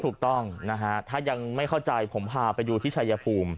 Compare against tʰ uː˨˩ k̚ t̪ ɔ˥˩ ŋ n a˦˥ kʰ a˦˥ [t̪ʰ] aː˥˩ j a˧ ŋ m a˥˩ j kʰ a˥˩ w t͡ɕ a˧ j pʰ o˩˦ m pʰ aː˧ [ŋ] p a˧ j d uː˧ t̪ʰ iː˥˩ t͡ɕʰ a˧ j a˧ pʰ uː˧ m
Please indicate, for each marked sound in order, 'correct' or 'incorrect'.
correct, incorrect

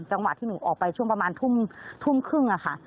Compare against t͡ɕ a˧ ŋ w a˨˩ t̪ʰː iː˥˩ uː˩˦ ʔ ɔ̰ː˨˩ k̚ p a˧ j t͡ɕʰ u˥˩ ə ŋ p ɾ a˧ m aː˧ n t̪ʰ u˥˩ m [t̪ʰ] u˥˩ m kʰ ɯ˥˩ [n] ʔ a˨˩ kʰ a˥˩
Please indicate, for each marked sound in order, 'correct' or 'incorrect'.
correct, incorrect

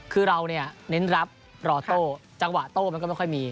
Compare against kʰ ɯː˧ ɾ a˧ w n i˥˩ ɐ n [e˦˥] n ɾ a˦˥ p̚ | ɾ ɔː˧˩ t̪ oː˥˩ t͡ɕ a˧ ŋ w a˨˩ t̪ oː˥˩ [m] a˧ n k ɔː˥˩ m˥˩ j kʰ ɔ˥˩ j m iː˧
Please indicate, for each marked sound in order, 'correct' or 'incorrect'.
correct, correct

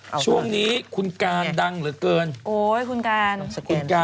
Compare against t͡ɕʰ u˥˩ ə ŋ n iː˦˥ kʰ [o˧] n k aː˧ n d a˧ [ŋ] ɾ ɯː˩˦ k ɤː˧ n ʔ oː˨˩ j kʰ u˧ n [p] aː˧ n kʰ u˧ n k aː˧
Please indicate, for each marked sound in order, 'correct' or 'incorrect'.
incorrect, correct, incorrect

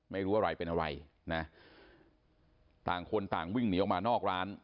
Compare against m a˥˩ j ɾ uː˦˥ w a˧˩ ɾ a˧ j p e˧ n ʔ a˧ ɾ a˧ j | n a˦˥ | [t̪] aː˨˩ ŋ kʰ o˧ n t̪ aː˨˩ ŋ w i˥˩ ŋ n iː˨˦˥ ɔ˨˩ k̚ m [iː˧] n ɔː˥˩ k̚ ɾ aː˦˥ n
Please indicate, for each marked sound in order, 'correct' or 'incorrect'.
correct, incorrect

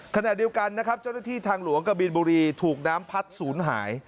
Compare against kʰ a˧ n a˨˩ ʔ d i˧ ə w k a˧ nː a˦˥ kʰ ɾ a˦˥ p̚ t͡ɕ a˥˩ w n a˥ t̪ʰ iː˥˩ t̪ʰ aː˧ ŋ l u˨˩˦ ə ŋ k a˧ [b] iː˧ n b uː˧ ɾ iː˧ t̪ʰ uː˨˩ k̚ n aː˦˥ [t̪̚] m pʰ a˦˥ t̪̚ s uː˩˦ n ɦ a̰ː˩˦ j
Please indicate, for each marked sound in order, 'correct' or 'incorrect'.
correct, incorrect

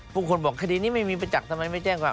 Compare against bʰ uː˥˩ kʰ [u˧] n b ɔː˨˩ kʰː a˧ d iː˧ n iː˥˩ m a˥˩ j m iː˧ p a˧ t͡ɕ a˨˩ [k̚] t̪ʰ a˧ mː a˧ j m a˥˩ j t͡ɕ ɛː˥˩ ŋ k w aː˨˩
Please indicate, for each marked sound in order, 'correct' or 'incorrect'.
incorrect, correct

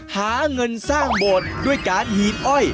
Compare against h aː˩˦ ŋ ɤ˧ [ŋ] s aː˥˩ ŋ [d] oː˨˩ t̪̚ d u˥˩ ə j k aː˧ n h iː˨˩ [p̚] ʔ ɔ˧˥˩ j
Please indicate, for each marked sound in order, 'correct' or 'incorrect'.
incorrect, incorrect, correct

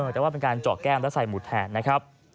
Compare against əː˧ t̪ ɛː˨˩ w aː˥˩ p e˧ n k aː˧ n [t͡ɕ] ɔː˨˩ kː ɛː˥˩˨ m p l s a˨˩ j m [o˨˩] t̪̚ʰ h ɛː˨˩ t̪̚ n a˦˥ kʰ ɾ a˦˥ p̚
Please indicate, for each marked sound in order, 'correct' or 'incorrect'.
correct, incorrect

